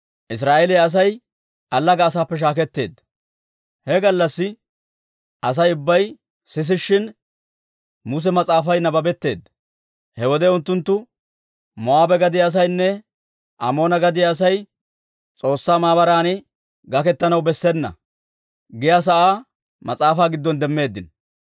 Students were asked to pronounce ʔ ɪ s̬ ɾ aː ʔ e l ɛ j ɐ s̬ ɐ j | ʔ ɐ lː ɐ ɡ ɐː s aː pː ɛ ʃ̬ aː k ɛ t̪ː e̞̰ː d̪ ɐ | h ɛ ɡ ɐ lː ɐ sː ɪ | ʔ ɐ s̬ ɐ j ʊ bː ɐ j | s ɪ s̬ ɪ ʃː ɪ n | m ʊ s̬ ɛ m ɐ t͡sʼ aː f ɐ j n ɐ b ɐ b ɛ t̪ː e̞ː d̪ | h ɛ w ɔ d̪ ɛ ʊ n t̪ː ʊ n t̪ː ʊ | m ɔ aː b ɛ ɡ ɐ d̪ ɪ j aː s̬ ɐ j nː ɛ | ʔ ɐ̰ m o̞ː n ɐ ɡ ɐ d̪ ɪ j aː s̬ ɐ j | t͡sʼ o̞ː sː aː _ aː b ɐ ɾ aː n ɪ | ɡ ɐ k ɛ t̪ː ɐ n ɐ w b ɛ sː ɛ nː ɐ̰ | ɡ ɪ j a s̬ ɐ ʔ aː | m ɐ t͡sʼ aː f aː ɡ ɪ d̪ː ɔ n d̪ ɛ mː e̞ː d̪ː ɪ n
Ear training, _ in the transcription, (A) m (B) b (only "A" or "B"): A